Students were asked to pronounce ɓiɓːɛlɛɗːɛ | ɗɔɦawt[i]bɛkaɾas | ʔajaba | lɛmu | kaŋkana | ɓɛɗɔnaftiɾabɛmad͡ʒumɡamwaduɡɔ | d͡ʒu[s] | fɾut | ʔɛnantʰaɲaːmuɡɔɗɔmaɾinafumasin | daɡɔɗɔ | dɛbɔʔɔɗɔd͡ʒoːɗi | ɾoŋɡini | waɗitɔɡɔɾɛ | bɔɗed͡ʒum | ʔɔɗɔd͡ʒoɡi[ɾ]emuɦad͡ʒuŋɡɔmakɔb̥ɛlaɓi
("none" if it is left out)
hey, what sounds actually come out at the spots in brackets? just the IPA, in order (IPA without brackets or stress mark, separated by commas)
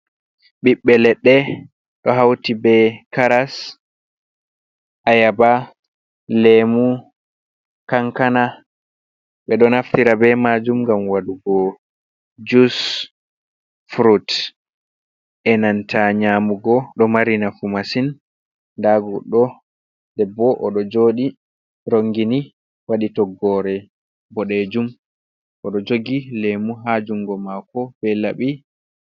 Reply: i, s, l